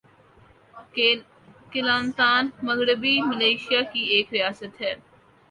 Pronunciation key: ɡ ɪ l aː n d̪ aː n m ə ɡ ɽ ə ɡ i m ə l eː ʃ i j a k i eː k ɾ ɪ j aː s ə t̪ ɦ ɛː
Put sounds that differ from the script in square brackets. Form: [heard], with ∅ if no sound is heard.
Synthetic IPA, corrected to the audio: [k] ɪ l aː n [t̪] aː n m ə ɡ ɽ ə [b] i m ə l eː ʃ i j a k i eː k ɾ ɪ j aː s ə t̪ ɦ ɛː